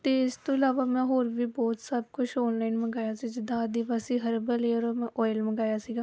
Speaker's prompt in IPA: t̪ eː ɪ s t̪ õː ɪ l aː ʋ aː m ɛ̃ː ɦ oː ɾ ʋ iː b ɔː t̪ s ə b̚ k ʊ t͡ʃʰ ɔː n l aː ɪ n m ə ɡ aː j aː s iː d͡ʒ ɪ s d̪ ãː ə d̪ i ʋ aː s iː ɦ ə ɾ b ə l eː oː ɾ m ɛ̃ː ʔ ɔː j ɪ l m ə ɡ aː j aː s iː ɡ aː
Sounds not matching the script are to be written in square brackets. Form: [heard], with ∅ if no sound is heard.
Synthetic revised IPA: t̪ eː ɪ s t̪ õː ɪ l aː ʋ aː m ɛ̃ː ɦ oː ɾ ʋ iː b ɔː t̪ s ə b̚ k ʊ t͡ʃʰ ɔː n l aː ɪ n m ə ɡ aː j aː s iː d͡ʒ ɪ [∅] d̪ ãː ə d̪ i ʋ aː s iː ɦ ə ɾ b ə l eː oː ɾ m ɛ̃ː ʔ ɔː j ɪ l m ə ɡ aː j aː s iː ɡ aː